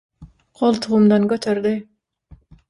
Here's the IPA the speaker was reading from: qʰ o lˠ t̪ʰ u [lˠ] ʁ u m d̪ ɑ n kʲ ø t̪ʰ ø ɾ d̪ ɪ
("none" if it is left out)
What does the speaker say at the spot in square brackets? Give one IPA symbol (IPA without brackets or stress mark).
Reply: none